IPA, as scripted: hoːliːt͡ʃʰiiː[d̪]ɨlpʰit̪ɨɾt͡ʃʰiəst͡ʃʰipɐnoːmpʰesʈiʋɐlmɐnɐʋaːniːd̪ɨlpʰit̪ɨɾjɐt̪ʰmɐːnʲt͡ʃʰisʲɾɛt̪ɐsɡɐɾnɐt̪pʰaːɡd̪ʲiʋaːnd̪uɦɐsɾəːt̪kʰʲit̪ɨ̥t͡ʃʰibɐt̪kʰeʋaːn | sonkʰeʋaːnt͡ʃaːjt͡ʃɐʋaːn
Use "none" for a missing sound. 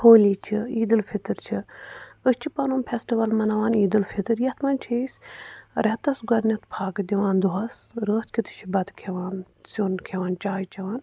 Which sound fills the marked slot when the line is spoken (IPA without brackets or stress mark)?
d̪